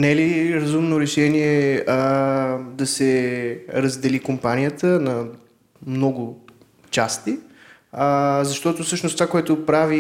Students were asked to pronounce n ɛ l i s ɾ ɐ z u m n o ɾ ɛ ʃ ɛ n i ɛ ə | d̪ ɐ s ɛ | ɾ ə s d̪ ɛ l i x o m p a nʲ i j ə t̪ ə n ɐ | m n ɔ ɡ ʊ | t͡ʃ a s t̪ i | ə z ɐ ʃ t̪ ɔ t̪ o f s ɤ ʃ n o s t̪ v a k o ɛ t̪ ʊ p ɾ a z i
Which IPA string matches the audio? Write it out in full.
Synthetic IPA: n ɛ l i ɾ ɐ z u m n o ɾ ɛ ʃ ɛ n i ɛ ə | d̪ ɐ s ɛ | ɾ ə z d̪ ɛ l i k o m p a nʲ i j ə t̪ ə n ɐ | m n ɔ ɡ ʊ | t͡ʃ a s t̪ i | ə z ɐ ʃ t̪ ɔ t̪ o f s ɤ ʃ n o s t̪ v a k o ɛ t̪ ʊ p ɾ a v i